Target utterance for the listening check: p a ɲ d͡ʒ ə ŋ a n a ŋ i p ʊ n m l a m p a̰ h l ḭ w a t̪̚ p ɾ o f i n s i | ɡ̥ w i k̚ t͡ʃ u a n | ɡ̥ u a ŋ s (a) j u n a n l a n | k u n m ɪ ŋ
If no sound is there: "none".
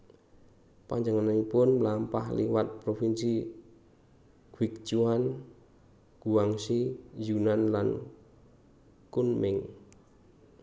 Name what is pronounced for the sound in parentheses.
i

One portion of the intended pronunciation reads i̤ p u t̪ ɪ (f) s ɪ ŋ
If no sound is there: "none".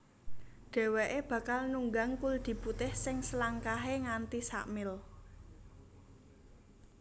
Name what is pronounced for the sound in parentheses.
h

